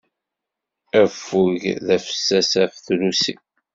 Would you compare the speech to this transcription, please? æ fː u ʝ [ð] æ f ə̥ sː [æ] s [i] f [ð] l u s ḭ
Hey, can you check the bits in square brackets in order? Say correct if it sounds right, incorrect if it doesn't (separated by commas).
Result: correct, correct, incorrect, incorrect